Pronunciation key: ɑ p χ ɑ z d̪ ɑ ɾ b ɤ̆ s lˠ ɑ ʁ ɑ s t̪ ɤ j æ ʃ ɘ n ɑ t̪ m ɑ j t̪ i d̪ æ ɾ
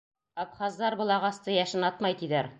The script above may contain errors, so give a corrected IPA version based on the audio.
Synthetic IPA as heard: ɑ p χ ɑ z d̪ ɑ ɾ b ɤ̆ lˠ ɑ ʁ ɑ s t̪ ɤ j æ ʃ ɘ n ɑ t̪ m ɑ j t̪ i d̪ æ ɾ